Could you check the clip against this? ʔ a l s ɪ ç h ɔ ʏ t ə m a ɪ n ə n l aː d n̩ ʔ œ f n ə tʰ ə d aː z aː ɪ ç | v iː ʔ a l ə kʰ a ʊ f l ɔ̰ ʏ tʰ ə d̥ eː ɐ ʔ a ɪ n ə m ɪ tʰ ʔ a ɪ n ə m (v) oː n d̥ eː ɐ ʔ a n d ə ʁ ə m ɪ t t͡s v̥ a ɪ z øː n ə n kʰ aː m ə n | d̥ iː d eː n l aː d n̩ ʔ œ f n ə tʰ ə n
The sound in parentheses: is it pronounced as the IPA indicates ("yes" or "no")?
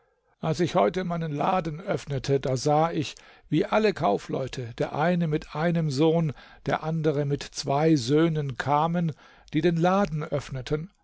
no